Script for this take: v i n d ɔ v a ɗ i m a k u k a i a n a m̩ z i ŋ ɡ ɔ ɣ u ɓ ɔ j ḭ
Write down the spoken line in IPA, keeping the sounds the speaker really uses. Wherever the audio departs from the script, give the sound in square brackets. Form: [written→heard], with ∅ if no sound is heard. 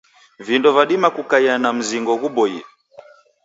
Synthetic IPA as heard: v i n d ɔ v a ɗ i m a k u k a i a n a m̩ z i ŋ ɡ ɔ ɣ u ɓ ɔ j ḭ